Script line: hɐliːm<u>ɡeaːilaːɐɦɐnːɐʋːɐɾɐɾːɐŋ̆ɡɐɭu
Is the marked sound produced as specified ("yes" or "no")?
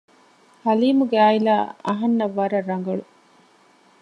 yes